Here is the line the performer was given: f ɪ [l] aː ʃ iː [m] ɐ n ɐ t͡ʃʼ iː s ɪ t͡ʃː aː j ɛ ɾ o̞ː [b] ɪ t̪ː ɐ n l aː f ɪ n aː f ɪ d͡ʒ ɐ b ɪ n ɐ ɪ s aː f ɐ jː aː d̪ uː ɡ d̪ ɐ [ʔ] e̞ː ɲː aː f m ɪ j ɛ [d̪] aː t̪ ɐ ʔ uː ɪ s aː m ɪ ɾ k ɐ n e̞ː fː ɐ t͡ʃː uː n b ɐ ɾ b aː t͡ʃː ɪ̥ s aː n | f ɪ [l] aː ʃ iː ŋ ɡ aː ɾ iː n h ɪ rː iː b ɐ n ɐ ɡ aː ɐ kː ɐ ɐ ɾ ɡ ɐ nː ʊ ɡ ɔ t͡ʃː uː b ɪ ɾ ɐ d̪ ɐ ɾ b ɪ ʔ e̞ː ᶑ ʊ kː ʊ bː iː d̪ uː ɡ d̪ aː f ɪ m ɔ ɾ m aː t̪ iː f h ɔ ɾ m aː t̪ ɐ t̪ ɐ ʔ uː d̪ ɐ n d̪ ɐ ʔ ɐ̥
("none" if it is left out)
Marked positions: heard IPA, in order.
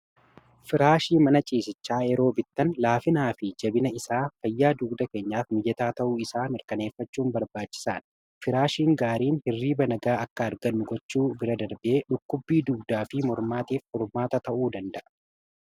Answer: ɾ, m, b, k, t̪, ɾ

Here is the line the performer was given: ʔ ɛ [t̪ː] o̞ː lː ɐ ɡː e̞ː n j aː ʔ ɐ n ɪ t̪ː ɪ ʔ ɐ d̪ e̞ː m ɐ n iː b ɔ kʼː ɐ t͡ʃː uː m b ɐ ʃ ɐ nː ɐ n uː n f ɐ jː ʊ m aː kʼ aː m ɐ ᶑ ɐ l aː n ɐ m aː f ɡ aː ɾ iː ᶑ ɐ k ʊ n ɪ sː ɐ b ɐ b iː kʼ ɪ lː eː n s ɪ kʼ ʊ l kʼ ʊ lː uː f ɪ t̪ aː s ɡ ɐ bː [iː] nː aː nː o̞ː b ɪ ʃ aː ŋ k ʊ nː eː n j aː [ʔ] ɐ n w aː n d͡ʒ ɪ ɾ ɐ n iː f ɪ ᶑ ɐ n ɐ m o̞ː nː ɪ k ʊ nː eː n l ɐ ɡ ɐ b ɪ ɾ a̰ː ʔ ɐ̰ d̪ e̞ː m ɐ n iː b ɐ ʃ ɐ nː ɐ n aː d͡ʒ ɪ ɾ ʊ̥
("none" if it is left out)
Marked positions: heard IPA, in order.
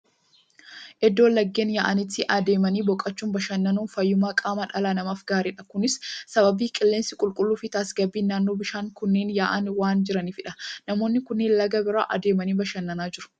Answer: d̪ː, iː, ʔ

